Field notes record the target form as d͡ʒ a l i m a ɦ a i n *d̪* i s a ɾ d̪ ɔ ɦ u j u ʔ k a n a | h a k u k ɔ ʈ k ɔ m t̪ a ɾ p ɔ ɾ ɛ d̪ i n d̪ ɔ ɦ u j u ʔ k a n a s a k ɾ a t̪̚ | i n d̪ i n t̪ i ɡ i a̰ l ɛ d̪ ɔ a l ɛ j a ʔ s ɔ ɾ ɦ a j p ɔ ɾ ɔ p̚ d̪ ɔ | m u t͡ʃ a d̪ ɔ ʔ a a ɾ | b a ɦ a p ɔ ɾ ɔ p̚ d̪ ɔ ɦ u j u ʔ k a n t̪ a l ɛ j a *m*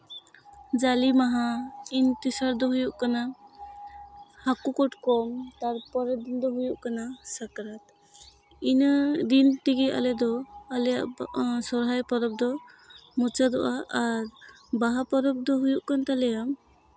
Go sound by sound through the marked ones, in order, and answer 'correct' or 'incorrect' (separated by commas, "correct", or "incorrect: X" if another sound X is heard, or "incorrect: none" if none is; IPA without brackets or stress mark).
incorrect: t̪, correct